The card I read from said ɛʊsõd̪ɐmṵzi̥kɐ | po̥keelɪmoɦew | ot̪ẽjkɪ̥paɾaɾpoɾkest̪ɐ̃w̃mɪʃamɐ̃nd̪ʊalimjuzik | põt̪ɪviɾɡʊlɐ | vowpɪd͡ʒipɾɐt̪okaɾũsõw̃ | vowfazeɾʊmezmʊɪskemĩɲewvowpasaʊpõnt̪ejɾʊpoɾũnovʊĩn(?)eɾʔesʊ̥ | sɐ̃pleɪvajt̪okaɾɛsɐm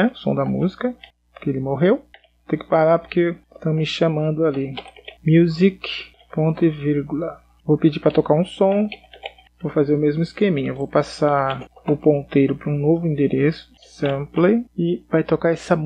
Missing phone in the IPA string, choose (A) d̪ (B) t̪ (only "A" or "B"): A